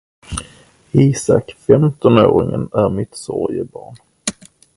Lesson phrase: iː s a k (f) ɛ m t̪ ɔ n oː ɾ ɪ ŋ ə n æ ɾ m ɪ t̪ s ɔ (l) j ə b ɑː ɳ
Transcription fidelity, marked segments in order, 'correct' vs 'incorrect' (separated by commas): correct, incorrect